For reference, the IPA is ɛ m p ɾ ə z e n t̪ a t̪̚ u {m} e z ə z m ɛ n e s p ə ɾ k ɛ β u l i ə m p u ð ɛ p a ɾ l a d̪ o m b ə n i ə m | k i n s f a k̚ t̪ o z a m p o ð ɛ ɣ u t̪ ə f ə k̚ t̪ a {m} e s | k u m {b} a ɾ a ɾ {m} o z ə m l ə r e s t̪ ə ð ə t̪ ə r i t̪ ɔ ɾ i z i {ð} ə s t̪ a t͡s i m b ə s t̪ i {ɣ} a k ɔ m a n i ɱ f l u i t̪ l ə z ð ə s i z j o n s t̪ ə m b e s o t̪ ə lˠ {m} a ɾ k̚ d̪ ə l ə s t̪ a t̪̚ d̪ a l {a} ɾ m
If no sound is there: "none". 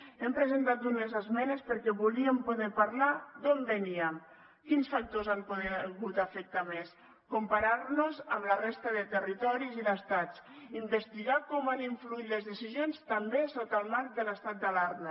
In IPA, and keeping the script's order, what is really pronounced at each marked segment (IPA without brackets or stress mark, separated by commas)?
n, m, p, n, ð, ɣ, m, a